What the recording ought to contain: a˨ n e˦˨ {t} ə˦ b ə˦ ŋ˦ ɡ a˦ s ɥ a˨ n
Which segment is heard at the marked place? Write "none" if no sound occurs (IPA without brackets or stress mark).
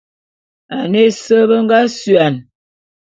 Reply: s